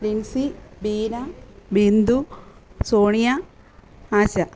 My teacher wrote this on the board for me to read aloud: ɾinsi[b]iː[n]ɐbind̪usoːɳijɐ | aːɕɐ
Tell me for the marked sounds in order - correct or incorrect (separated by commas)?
correct, correct